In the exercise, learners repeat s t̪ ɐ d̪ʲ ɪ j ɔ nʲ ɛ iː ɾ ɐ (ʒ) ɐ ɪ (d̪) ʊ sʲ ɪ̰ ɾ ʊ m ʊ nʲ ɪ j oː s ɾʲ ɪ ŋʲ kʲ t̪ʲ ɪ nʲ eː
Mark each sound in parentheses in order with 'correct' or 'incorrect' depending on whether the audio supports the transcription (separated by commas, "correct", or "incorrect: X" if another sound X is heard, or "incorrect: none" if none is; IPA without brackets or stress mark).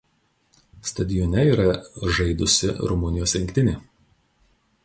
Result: correct, correct